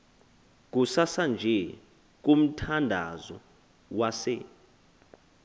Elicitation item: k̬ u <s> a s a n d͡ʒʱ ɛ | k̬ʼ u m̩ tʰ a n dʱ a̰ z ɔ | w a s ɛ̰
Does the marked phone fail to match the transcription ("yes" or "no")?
no